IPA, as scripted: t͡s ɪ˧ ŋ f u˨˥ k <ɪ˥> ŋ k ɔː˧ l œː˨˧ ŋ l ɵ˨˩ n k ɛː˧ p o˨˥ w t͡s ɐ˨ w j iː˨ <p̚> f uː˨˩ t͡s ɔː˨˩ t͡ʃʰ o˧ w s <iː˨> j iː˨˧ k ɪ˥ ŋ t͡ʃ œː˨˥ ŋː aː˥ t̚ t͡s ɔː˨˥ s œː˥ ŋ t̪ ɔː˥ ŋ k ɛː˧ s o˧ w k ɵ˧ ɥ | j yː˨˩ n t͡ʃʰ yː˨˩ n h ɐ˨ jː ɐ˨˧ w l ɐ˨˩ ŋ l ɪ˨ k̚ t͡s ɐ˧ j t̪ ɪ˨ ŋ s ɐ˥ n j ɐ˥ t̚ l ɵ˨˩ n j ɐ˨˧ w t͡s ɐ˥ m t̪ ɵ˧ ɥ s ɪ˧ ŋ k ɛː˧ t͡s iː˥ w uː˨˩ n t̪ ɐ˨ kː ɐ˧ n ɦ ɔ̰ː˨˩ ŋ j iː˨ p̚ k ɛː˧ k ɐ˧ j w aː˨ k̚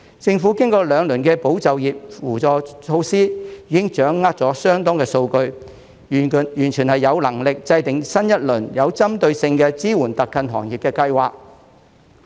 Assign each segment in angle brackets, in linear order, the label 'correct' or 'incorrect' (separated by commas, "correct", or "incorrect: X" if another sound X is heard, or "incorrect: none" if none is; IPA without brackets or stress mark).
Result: correct, correct, incorrect: iː˥